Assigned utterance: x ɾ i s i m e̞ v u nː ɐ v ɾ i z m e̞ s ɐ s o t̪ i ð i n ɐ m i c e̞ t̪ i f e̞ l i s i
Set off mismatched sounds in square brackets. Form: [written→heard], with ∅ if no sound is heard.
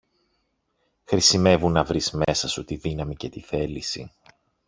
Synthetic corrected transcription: x ɾ i s i m e̞ v u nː ɐ v ɾ i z m e̞ s ɐ s [o→u] t̪ i ð i n ɐ m i c e̞ t̪ i [f→θ] e̞ l i s i